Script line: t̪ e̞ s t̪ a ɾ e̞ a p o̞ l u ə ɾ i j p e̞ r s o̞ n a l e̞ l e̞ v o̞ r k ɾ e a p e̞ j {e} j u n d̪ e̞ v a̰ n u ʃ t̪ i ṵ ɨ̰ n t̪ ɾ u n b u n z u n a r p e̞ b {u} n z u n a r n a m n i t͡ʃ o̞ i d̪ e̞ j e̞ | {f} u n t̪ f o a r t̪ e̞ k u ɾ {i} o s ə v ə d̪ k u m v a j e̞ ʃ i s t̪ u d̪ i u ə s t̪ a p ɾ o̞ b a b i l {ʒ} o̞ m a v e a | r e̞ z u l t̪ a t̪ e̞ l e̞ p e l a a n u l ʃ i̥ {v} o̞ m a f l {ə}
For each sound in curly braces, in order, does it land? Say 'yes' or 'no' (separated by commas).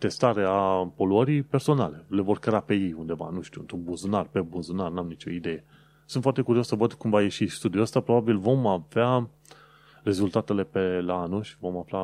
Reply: yes, yes, no, yes, no, yes, no